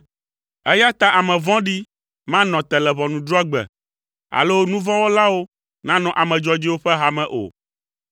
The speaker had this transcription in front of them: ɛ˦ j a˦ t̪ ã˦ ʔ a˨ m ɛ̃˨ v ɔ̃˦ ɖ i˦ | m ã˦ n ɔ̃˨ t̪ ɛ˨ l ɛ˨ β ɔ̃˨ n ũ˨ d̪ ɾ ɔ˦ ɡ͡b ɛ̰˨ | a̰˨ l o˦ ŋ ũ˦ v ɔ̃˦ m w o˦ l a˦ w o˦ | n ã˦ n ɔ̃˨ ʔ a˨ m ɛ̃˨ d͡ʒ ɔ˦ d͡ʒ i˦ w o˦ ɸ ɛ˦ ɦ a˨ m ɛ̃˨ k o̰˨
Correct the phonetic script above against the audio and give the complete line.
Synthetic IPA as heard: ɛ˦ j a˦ t̪ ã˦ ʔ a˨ m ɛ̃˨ v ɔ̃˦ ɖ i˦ | m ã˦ n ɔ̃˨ t̪ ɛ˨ l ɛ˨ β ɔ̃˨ n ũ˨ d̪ ɾ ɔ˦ ɡ͡b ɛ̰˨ | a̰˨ l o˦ n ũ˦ v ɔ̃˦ w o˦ l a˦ w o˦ | n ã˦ n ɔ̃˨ ʔ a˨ m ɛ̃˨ d͡ʒ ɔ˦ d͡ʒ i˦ w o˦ ɸ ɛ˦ ɦ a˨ m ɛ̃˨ ʔ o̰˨